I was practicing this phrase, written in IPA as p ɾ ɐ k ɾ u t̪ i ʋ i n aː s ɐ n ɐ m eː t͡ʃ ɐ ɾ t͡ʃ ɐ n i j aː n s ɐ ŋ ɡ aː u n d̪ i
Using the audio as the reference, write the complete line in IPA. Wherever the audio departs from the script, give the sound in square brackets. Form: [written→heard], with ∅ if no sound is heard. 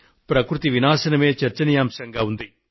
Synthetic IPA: p ɾ ɐ k ɾ u t̪ i ʋ i n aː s ɐ n ɐ m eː t͡ʃ ɐ ɾ t͡ʃ ɐ n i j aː [n→m] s ɐ ŋ ɡ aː u n d̪ i